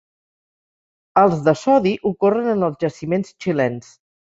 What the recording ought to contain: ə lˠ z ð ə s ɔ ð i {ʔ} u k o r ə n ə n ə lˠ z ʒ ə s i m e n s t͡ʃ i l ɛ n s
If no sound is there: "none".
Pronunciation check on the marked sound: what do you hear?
ʔ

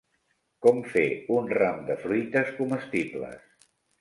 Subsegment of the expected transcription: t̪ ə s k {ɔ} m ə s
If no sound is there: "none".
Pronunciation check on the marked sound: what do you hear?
u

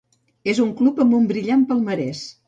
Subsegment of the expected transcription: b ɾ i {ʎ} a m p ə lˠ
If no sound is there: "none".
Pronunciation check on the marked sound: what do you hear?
ʎ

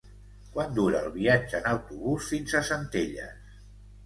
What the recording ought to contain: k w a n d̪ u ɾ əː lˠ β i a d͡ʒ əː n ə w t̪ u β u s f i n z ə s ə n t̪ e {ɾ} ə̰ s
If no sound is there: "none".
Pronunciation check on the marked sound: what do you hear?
ʎ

